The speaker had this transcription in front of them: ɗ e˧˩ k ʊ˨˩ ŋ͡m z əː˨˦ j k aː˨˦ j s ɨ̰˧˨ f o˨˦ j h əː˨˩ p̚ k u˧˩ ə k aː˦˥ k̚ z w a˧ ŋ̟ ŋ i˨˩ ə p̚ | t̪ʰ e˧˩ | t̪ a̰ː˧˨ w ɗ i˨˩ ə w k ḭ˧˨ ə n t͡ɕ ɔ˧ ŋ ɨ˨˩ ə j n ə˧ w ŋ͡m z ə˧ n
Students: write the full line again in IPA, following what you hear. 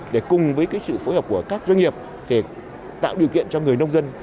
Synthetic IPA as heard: ɗ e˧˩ k ʊ˨˩ ŋ͡m v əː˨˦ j k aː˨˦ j s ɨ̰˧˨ f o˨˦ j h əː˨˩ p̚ k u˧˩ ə k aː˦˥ k̚ z w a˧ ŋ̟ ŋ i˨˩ ə p̚ | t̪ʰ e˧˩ | t̪ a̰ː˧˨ w ɗ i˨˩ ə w k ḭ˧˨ ə n t͡ɕ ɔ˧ ŋ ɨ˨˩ ə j n ə˧ w ŋ͡m z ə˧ n